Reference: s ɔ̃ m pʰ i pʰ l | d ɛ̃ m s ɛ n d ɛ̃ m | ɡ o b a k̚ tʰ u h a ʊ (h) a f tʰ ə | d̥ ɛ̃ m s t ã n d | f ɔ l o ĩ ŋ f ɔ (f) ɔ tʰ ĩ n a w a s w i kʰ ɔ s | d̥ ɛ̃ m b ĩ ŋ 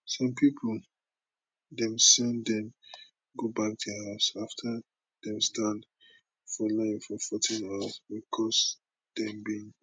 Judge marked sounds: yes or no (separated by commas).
no, yes